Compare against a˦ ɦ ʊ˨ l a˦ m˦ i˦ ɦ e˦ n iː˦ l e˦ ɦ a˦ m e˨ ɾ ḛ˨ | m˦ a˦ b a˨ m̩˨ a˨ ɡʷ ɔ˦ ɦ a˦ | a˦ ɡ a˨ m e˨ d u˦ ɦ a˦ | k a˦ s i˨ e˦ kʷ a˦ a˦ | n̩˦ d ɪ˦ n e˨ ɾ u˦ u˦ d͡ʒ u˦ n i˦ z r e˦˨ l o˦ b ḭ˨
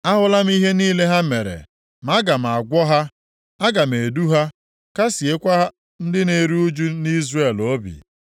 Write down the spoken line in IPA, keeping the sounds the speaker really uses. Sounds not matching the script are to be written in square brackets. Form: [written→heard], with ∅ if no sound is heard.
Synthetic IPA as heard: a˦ ɦ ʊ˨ l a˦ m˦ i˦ ɦ e˦ n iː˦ l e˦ ɦ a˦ m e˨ ɾ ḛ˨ | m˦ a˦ [b→ɡ] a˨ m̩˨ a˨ ɡʷ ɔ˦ ɦ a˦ | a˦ ɡ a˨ m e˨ d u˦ ɦ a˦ | k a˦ s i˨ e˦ kʷ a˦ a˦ | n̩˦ d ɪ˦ n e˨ ɾ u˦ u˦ d͡ʒ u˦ n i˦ z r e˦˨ l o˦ b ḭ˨